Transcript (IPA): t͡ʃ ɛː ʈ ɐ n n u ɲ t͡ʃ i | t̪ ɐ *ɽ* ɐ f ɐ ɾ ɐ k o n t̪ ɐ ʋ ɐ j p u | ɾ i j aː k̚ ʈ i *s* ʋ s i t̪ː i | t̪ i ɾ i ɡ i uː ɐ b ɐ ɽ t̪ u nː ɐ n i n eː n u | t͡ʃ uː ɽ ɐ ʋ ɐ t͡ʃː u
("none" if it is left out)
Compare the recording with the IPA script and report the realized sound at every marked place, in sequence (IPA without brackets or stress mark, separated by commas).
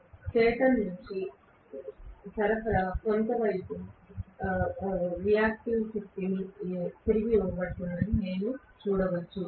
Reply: ɾ, none